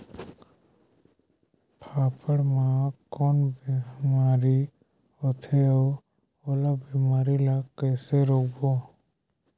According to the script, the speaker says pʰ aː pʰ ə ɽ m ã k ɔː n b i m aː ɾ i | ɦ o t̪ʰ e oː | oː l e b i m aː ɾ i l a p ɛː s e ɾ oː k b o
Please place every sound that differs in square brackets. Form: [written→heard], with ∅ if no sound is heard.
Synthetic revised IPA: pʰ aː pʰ ə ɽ m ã k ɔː n b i m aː ɾ i | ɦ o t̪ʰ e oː | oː l [e→a] b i m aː ɾ i l a [p→k] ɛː s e ɾ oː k b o